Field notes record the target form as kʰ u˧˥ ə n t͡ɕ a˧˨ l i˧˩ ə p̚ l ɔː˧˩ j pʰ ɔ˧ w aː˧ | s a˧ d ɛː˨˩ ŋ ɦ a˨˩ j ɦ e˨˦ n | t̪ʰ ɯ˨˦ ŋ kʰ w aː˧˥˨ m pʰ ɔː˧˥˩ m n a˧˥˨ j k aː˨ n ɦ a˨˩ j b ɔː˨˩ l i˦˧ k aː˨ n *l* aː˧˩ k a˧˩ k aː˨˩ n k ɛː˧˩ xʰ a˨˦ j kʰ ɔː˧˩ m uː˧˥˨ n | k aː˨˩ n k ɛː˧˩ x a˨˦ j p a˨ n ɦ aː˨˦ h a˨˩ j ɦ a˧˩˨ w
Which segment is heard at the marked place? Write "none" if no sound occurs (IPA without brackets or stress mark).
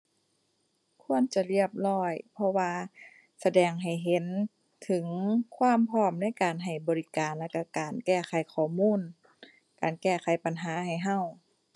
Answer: l